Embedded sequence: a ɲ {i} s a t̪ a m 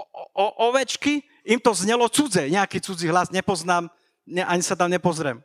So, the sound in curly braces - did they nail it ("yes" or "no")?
yes